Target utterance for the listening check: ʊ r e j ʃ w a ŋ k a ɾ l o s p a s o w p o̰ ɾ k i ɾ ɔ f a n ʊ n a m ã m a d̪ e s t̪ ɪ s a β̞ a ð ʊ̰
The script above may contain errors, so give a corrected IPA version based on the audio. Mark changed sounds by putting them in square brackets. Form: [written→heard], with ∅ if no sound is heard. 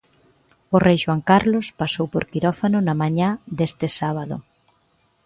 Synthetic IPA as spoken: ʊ r e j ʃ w a ŋ k a ɾ l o s p a s o w p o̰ ɾ k i ɾ ɔ f a n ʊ n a m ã [m→ɲ] a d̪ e s t̪ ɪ s a β̞ a ð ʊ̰